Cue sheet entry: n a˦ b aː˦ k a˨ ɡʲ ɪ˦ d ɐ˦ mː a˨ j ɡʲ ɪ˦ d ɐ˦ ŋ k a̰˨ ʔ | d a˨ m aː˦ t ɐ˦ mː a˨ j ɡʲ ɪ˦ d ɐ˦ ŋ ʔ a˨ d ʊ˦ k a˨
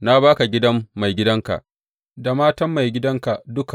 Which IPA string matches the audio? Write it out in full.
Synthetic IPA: n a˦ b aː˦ k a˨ ɡʲ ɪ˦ d ɐ˦ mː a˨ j ɡʲ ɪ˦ d ɐ˦ ŋ k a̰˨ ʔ | d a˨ m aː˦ t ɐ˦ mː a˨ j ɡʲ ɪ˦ d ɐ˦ ŋ k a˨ d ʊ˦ k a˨